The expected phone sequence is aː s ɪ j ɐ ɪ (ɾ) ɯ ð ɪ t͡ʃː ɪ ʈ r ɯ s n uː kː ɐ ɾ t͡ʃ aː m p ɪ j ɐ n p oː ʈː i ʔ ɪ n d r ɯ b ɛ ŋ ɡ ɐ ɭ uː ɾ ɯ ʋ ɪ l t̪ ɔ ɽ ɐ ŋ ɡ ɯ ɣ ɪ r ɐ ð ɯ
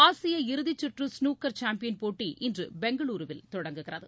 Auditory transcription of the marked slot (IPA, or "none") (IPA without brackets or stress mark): ɾ